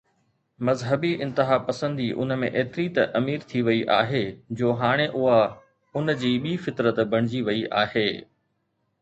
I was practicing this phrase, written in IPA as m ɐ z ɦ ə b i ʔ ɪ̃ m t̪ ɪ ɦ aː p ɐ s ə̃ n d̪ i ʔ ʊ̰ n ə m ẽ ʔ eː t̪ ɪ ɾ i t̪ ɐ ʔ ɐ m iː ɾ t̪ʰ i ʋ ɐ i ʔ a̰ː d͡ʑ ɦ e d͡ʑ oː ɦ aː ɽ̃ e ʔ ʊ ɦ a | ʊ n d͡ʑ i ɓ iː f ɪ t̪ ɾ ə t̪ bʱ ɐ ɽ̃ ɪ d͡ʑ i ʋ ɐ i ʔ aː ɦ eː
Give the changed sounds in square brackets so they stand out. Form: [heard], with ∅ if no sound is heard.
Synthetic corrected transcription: m ɐ z ɦ ə b i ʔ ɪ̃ [n] t̪ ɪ ɦ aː p ɐ s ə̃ n d̪ i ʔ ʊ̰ n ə m ẽ ʔ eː t̪ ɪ ɾ i t̪ ɐ ʔ ɐ m iː ɾ t̪ʰ i ʋ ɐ i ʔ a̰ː [∅] ɦ e d͡ʑ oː ɦ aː ɽ̃ e ʔ ʊ ɦ a | ʊ n d͡ʑ [iː] ɓ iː f ɪ t̪ ɾ ə t̪ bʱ ɐ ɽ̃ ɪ d͡ʑ i ʋ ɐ i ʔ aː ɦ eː